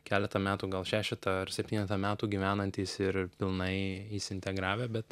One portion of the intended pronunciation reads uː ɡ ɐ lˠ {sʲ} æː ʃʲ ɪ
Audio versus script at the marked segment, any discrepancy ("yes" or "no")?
yes